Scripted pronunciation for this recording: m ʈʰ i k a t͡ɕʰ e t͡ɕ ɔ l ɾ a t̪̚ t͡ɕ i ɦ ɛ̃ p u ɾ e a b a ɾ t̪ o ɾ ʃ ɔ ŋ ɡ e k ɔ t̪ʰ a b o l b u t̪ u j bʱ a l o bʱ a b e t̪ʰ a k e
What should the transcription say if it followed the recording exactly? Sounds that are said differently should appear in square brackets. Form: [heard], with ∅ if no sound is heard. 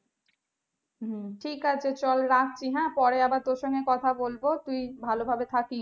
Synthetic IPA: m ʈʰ i k a t͡ɕʰ e t͡ɕ ɔ l ɾ a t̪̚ t͡ɕ i ɦ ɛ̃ p [ɔ] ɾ e a b a ɾ t̪ o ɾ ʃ ɔ ŋ ɡ e k ɔ t̪ʰ a b o l b [o] t̪ u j bʱ a l o bʱ a b e t̪ʰ a k [i]